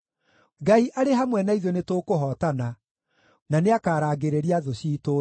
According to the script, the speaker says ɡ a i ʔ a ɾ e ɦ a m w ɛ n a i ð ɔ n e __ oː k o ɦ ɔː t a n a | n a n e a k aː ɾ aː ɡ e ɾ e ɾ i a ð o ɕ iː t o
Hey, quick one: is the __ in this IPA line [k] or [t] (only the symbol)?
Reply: t